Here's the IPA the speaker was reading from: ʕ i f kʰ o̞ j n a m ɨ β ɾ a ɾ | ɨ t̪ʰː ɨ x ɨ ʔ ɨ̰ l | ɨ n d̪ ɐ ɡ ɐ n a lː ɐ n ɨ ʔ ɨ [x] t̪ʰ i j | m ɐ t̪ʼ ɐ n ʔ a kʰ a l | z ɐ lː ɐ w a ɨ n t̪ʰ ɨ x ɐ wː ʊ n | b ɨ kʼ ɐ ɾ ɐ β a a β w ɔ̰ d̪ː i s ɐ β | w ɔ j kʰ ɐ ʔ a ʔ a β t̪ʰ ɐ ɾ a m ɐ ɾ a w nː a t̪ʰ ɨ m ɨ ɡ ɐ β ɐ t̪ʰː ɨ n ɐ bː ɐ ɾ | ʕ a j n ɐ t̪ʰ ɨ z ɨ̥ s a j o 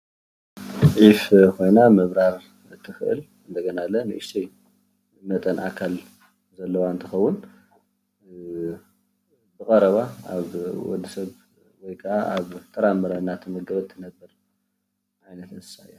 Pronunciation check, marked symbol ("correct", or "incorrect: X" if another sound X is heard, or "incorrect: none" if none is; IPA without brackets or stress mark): incorrect: ʃ